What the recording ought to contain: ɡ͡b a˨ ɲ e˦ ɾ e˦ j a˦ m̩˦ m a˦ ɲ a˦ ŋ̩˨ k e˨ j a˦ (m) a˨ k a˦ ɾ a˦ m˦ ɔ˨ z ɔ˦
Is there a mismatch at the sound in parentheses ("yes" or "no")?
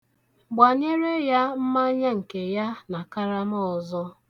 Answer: yes